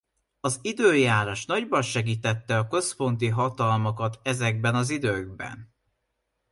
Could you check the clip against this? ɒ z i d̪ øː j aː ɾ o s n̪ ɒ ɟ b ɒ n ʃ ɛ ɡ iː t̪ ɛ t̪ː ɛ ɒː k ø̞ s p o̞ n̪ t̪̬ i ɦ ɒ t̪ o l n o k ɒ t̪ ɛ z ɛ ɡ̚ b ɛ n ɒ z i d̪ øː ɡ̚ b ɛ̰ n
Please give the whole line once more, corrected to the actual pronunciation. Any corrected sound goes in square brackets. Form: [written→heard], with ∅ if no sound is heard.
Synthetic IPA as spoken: ɒ z i d̪ øː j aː ɾ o [s→ʃ] n̪ ɒ ɟ b ɒ n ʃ ɛ ɡ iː t̪ ɛ t̪ː ɛ [ɒː→ɒ] k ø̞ s p o̞ n̪ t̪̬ i ɦ ɒ t̪ [o→ɒ] l [n→m] o k ɒ t̪ ɛ z ɛ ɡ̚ b ɛ n ɒ z i d̪ øː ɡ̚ b ɛ̰ n